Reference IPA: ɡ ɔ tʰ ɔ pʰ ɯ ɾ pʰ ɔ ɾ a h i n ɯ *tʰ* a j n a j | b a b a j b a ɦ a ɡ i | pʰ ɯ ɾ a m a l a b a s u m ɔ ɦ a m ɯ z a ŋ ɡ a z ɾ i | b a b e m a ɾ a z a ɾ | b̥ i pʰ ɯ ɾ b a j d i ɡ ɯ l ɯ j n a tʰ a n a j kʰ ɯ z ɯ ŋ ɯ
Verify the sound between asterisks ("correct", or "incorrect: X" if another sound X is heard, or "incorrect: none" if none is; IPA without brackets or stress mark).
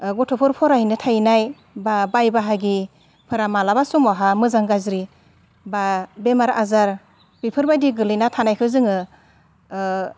correct